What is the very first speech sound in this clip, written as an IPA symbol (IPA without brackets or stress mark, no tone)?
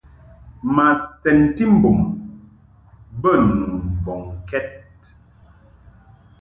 m